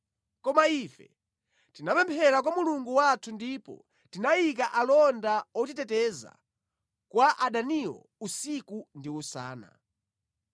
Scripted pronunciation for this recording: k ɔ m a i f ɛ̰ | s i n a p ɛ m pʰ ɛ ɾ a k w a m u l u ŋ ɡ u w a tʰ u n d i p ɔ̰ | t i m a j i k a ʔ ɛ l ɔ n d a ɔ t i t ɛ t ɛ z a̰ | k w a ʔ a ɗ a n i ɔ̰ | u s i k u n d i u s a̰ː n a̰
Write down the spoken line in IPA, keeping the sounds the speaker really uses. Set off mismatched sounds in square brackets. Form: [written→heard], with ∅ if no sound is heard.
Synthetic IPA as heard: k ɔ m a i f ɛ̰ | [s→t] i n a p ɛ m pʰ ɛ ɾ a k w a m u l u ŋ ɡ u w a tʰ u n d i p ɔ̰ | t i [m→n] a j i k a ʔ [ɛ→a] l ɔ n d a ɔ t i t ɛ t ɛ z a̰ | k w a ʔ a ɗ a n i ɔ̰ | u s i k u n d i u s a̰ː n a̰